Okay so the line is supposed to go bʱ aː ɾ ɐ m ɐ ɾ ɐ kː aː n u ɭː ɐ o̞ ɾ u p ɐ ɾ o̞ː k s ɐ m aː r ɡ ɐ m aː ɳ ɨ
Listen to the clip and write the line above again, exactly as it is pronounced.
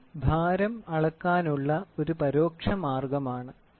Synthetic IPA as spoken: bʱ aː ɾ ɐ m ɐ ɭ ɐ kː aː n u ɭː ɐ o̞ ɾ u p ɐ ɾ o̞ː k ʂ ɐ m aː r ɡ ɐ m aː ɳ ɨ